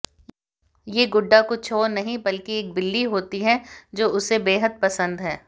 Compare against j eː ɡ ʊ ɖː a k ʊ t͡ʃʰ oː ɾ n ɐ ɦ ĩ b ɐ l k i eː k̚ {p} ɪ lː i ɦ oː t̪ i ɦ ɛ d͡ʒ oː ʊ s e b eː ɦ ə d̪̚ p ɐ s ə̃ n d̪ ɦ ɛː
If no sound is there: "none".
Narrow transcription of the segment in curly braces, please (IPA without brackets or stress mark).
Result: b